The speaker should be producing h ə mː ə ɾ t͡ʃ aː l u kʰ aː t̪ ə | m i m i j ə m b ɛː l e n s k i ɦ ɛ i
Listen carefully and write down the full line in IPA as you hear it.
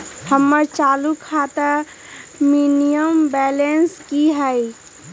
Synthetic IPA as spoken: h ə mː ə ɾ t͡ʃ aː l u kʰ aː t̪ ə | m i n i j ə m b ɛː l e n s k i ɦ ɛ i